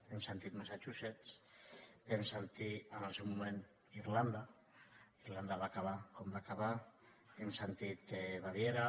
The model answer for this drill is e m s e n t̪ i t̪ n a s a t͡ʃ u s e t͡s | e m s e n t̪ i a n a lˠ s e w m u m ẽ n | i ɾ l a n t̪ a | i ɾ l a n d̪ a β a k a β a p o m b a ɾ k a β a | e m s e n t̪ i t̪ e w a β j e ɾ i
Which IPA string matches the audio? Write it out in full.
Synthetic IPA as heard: e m s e n t̪ i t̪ m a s a t͡ʃ u s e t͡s | e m s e n t̪ i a n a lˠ s e w m u m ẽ n | i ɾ l a n d̪ a | i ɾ l a n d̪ a β a k a β a k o m b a k a β a | e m s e n t̪ i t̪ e β a β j e ɾ a